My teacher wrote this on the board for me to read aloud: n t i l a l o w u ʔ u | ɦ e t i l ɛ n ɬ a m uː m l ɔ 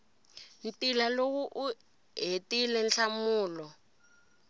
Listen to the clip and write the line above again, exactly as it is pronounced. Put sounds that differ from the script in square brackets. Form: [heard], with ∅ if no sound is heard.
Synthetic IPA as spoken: n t i l a l o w u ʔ u | ɦ e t i l ɛ n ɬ a m uː [∅] l ɔ